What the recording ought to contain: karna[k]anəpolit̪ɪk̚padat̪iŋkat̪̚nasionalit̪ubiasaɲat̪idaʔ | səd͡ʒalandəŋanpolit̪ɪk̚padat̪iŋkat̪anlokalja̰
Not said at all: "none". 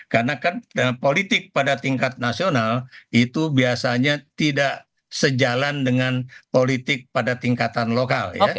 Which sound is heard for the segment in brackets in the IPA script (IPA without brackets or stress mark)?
k